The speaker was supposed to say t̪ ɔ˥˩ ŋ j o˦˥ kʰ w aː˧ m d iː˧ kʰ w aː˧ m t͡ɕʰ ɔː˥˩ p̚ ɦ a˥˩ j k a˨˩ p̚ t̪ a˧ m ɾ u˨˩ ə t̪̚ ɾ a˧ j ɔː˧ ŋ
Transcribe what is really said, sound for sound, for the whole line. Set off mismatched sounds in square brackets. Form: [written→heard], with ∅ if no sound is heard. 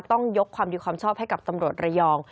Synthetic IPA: t̪ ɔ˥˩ ŋ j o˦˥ kʰ w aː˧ m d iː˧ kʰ w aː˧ m t͡ɕʰ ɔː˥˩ p̚ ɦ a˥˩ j k a˨˩ p̚ t̪ a˧ m ɾ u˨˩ ə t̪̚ ɾ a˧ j ɔː˧ ŋ